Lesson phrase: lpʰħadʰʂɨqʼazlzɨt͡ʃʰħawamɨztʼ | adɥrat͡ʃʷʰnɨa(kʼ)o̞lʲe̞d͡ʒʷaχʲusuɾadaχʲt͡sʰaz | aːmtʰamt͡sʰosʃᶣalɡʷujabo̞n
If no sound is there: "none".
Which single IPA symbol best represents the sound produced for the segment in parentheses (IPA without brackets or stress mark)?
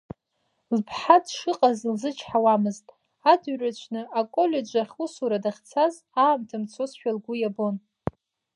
kʼ